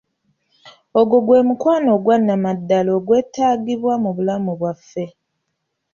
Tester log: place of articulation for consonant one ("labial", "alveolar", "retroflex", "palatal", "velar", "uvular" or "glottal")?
velar